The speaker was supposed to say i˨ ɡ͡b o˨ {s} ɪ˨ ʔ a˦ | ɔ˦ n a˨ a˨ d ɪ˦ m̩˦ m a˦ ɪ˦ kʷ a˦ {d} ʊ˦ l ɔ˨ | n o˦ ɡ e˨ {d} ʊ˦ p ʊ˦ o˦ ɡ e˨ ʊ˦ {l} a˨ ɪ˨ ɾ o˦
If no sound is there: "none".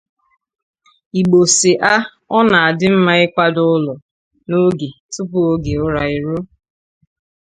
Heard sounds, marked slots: s, d, t, ɾ

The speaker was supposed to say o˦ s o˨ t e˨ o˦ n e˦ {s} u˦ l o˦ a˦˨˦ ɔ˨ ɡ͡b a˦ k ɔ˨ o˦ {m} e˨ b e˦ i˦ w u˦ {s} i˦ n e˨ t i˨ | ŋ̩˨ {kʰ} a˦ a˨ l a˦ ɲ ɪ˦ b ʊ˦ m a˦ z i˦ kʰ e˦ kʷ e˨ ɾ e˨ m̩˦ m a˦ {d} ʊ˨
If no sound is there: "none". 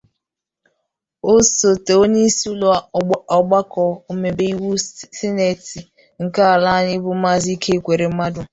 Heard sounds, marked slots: s, m, s, k, d

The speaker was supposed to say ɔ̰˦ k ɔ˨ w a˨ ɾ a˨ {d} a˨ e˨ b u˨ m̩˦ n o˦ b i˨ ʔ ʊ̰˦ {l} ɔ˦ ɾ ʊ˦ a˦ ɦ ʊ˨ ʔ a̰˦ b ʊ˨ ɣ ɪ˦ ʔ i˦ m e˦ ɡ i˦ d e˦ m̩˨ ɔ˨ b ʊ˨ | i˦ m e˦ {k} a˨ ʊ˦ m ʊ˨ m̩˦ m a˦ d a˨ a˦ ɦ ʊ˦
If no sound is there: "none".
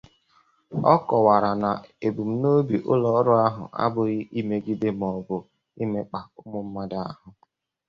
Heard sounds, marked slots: n, l, k͡p

